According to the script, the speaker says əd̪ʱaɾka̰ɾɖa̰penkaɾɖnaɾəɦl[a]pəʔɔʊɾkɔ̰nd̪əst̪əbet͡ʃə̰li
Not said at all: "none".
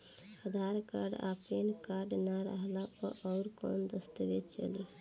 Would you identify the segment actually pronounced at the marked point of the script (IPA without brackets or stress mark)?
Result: a